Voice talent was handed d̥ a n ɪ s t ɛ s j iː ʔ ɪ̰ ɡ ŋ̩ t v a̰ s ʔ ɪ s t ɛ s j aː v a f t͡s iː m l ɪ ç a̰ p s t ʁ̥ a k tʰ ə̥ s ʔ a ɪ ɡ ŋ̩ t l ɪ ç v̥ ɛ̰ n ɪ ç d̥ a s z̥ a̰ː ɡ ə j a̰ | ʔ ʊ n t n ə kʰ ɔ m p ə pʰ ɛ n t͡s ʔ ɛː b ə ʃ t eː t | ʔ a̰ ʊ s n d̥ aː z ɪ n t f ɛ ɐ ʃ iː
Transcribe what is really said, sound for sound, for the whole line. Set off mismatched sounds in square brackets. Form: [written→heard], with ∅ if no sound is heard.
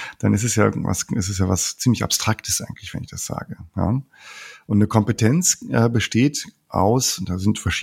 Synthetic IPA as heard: d̥ a n ɪ s t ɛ s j [iː→aː] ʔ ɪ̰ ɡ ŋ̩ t v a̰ s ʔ ɪ s t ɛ s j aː v a [f→s] t͡s iː m l ɪ ç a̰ p s t ʁ̥ a k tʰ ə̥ s ʔ a ɪ ɡ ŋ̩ t l ɪ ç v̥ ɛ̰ n ɪ ç d̥ a s z̥ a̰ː ɡ ə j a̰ | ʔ ʊ n t n ə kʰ ɔ m p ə [pʰ→tʰ] ɛ n t͡s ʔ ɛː b ə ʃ t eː t | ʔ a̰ ʊ s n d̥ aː z ɪ n t f ɛ ɐ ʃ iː